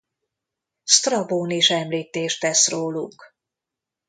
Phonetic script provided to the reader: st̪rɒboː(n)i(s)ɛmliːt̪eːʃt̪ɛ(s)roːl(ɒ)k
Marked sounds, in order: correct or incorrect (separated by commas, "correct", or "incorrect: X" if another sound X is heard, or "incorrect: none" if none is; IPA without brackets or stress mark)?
correct, incorrect: ʃ, correct, incorrect: u